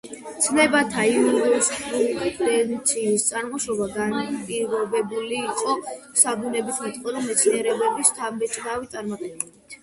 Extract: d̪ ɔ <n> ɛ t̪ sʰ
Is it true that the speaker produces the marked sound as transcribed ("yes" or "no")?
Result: no